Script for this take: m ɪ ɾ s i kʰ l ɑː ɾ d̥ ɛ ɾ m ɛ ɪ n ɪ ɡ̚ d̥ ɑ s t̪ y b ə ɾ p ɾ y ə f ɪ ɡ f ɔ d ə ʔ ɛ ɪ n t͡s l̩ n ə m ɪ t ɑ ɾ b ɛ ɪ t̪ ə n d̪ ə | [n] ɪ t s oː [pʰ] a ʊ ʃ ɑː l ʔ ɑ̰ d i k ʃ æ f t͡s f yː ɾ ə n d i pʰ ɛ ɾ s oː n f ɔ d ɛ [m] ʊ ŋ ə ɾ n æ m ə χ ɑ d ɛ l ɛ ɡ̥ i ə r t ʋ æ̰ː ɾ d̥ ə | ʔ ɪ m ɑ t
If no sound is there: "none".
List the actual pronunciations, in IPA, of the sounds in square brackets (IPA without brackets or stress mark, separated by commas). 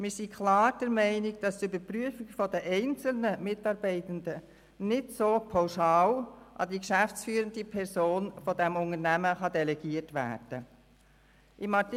n, pʰ, m